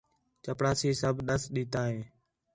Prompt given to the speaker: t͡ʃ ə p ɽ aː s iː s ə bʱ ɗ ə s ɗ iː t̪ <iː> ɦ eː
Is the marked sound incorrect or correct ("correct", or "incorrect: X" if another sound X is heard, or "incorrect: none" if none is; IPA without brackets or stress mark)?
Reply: incorrect: aː